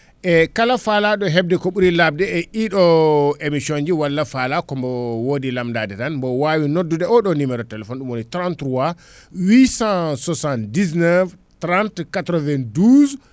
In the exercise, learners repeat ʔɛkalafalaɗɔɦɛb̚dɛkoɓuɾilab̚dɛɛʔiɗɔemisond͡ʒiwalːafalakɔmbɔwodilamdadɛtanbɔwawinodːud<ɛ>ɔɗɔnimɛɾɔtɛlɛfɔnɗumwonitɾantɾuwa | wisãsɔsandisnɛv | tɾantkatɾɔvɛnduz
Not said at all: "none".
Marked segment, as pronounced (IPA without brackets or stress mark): ɛ